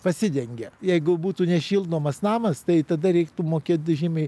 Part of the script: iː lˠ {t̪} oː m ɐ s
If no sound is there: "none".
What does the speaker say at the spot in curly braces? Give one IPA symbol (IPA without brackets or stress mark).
d̪